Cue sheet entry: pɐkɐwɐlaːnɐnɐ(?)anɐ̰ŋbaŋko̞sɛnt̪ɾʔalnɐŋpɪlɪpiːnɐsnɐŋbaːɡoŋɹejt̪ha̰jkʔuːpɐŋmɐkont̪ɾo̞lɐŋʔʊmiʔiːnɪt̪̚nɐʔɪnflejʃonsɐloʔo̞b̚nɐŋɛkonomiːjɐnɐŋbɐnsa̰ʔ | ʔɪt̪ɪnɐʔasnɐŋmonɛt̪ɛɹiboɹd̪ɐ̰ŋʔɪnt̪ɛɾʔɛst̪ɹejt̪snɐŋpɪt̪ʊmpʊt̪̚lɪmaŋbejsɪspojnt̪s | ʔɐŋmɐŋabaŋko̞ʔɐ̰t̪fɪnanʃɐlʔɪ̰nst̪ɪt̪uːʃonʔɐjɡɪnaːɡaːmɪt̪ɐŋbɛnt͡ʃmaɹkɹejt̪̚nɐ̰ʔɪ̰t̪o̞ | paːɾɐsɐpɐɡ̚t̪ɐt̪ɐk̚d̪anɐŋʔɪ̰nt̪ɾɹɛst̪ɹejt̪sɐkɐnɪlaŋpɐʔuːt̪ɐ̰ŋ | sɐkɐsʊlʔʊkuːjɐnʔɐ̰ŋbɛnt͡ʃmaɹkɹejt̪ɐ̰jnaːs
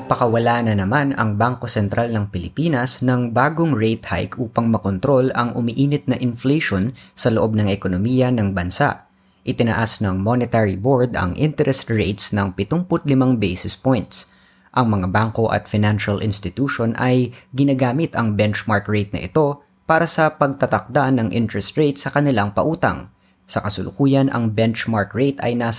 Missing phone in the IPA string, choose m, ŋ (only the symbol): m